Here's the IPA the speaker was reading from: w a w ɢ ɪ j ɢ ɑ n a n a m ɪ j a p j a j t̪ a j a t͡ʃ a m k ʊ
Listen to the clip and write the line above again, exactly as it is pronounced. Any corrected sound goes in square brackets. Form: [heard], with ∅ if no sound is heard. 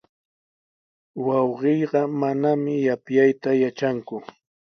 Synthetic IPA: w [ɑ] w ɢ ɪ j ɢ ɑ [m] a n a m ɪ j a p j a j t̪ a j a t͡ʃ a [ŋ] k ʊ

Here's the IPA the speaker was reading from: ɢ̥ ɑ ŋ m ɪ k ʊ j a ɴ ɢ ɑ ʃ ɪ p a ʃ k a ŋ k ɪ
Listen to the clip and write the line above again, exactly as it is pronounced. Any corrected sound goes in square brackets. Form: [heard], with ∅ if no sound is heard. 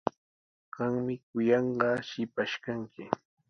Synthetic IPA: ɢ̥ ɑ ŋ m ɪ k ʊ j [ɑ] ɴ ɢ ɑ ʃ ɪ p a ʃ k a ŋ k ɪ

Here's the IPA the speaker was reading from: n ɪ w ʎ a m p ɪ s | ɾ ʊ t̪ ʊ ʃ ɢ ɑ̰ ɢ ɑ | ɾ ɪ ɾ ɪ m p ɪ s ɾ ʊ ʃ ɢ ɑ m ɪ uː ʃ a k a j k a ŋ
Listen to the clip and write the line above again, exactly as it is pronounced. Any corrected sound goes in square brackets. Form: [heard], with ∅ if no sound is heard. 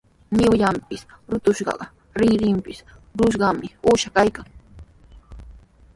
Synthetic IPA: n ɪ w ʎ a m p ɪ s | ɾ ʊ t̪ ʊ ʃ ɢ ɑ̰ ɢ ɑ | ɾ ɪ ɾ ɪ m p ɪ s ɾ ʊ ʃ ɢ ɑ m ɪ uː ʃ a k a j k a ŋ

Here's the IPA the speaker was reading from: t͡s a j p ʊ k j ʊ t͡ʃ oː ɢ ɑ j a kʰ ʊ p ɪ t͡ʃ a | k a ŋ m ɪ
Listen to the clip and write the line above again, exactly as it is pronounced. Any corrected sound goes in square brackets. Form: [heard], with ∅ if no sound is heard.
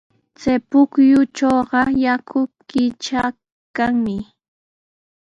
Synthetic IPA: t͡s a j p ʊ k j ʊ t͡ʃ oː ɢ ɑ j a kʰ ʊ [k] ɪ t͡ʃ a | k a ŋ m ɪ

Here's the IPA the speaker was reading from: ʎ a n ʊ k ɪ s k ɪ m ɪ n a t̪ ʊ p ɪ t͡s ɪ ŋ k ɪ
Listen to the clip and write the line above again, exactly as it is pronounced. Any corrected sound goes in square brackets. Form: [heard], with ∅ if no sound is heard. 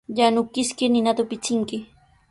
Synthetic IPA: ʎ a n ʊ k ɪ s k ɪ [n] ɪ n a t̪ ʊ p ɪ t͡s ɪ ŋ k ɪ

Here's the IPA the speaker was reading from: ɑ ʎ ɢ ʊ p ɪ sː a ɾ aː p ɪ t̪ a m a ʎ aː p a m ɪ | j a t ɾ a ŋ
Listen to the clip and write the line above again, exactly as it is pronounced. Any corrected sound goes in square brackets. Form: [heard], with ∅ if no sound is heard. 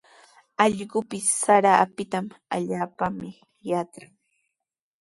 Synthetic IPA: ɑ ʎ ɢ ʊ p ɪ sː a ɾ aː p ɪ t̪ a m a ʎ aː p a m ɪ | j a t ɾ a ŋ

